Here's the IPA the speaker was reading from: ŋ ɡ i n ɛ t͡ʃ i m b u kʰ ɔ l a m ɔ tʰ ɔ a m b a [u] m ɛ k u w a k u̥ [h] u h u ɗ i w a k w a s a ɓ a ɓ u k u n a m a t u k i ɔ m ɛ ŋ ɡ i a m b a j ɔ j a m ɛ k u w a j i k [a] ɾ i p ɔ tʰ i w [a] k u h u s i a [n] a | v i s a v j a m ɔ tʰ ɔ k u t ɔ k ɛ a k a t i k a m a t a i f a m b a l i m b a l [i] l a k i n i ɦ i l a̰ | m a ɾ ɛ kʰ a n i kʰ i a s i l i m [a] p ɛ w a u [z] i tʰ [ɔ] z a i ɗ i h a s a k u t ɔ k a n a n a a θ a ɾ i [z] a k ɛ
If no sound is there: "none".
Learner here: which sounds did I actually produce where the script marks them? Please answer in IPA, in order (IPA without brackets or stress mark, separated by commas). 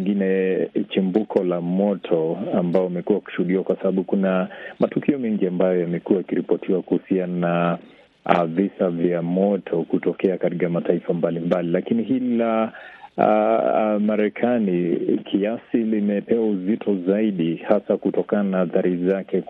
ɔ, ʃ, i, a, n, i, ɛ, z, ɔ, z